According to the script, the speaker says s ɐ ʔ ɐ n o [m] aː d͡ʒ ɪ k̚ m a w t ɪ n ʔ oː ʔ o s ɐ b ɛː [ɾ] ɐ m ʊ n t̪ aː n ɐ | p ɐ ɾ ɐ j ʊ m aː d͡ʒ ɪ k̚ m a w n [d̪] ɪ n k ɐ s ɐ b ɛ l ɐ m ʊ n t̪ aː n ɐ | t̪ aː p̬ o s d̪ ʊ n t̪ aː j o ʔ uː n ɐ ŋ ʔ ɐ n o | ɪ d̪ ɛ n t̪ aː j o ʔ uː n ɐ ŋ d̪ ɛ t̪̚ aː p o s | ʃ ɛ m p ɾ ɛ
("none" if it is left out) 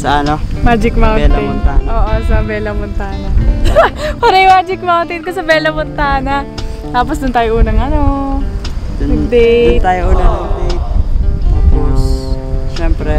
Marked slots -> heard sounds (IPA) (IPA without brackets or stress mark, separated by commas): m, l, t̪